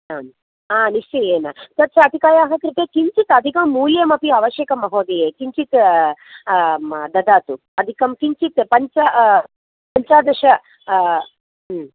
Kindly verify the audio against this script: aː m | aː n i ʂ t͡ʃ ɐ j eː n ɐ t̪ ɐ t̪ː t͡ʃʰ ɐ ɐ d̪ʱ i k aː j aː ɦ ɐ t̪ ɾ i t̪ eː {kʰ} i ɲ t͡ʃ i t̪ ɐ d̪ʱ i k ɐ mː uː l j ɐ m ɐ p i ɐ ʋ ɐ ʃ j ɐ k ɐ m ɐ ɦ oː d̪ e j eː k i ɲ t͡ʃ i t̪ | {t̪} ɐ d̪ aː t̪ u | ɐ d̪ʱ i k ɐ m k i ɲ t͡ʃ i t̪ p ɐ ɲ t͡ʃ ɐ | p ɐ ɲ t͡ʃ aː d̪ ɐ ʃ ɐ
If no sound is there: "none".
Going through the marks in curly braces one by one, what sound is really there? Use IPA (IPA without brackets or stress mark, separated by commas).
k, d̪